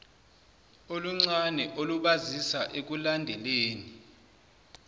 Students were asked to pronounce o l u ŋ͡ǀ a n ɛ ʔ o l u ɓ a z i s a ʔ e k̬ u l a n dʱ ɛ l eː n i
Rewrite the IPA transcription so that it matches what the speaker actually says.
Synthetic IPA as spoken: o l u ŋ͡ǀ a n ɛ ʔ o l u ɓ a z i s a ʔ e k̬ u l a n dʱ ɛ l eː n i